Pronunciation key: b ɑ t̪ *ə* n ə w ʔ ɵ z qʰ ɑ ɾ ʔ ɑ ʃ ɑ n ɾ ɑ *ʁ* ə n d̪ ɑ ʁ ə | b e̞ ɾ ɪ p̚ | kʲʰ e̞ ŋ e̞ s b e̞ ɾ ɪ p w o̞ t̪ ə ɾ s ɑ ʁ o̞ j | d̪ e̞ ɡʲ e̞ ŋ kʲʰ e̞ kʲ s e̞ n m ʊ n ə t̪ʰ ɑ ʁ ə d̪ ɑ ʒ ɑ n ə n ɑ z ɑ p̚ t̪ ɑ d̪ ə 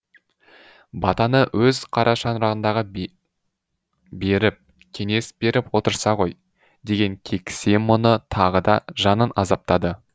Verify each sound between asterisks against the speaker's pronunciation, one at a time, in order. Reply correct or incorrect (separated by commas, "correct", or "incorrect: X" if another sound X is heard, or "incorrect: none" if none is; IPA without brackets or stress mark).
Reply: incorrect: ɑ, correct